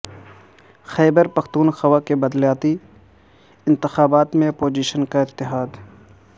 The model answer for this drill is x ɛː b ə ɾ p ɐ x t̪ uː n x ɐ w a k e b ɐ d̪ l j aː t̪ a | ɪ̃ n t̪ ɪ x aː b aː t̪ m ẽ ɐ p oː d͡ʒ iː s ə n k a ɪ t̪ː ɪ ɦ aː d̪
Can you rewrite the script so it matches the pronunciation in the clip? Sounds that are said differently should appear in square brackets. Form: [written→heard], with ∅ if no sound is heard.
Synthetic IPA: x ɛː b ə ɾ p ɐ x t̪ uː n x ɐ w a k e b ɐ d̪ l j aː t̪ [a→i] | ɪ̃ n t̪ ɪ x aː b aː t̪ m ẽ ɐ p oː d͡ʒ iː [s→ʃ] ə n k a ɪ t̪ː ɪ ɦ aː d̪